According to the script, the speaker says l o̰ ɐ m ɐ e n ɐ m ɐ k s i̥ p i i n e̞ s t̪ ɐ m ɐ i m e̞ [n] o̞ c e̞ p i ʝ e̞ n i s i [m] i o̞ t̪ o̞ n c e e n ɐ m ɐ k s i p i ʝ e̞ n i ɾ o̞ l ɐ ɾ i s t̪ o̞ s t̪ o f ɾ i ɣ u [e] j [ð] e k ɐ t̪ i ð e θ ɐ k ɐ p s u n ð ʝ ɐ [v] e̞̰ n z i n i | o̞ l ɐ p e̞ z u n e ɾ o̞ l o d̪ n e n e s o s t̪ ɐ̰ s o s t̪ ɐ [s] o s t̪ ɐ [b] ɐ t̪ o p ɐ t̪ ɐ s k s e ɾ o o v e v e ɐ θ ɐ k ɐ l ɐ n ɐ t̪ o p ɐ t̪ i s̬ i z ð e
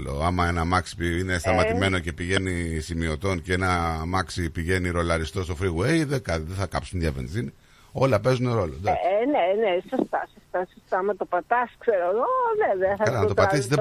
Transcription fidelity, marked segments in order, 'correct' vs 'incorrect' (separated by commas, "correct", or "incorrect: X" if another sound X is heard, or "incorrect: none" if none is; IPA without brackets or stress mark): correct, correct, correct, correct, correct, correct, incorrect: m